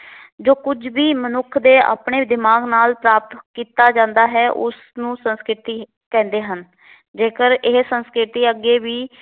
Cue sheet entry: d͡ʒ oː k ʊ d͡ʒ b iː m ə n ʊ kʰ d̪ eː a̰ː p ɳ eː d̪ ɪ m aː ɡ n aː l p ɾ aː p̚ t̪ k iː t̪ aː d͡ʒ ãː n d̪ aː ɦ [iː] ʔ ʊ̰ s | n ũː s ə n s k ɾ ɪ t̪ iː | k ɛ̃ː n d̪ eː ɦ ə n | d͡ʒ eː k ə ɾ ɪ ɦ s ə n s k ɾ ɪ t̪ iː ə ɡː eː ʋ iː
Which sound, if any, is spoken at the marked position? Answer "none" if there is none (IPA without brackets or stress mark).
ɛː